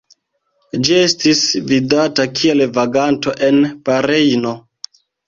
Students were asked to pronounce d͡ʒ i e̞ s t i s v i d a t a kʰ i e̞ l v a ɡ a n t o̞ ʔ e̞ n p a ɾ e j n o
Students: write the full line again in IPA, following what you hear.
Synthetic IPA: d͡ʒ i e̞ s t i s v i d a t a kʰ i e̞ l v a ɡ a n t o̞ ʔ e̞ n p a ɾ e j n o